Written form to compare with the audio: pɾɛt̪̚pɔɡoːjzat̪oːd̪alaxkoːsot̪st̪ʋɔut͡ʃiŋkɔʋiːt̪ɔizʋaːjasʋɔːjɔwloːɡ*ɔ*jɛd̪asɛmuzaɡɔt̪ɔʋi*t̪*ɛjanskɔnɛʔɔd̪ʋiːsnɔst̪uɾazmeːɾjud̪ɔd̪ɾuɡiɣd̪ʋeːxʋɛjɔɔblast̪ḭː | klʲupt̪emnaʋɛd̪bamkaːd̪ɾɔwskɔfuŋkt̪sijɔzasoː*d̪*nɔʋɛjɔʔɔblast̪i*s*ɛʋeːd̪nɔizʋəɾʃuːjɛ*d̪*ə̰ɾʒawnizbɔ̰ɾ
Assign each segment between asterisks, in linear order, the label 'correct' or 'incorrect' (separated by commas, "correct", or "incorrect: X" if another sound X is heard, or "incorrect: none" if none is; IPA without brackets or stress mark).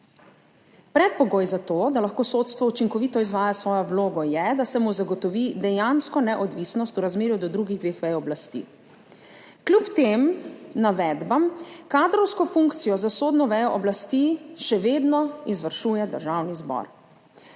correct, incorrect: d̪, correct, incorrect: ʃ, correct